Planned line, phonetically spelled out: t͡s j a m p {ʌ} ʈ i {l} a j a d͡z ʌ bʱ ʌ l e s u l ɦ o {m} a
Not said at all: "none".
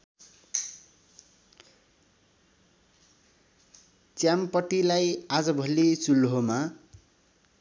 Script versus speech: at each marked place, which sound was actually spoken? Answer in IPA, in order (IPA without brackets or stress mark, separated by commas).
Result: ʌ, l, m